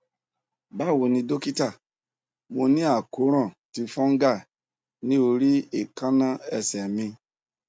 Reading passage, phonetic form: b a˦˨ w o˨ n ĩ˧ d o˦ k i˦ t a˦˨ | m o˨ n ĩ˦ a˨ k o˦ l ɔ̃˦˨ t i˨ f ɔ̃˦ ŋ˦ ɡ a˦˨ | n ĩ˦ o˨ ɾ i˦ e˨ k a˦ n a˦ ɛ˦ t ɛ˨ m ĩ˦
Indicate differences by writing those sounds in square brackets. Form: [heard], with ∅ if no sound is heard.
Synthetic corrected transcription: b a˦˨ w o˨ n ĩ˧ d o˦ k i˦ t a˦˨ | m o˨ n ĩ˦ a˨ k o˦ [ɾ] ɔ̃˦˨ t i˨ f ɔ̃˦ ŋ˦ ɡ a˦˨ | n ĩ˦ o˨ ɾ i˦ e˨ k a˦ n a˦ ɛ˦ [s] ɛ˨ m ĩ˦